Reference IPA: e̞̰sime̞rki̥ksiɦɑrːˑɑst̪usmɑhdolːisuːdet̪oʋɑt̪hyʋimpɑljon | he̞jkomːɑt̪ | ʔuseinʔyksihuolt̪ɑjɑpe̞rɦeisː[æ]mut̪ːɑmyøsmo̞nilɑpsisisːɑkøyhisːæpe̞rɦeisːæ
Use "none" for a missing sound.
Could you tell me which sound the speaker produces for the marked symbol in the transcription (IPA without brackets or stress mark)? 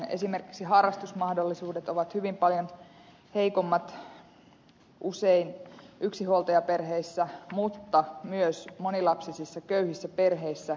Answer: æ